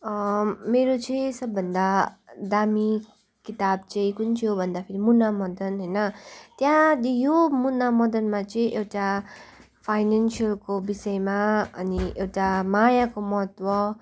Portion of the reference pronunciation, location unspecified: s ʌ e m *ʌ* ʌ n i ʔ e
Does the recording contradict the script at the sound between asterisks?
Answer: yes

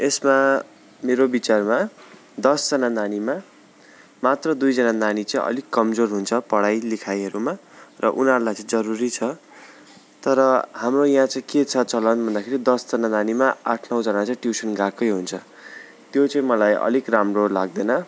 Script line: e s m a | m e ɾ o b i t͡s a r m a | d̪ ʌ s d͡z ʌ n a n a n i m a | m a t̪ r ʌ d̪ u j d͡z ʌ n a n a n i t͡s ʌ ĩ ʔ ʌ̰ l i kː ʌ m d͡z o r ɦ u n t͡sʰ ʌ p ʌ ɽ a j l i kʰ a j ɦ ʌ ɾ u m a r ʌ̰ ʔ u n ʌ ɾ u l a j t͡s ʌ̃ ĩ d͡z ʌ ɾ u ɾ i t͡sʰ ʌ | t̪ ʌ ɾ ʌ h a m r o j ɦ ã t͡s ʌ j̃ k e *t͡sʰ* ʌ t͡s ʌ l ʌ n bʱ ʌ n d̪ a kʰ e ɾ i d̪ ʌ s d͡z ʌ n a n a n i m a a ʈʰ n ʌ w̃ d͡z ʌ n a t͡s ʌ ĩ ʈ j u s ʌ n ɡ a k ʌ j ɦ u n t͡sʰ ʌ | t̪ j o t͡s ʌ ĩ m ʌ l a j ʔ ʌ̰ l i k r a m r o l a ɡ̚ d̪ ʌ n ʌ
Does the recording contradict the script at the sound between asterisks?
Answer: no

